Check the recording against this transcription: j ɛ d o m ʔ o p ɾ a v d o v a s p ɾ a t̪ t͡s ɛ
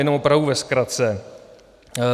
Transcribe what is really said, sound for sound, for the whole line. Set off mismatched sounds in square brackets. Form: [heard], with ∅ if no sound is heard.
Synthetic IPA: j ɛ [n] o m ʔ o p ɾ a v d [u] v [ɛ] s [k] ɾ a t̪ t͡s ɛ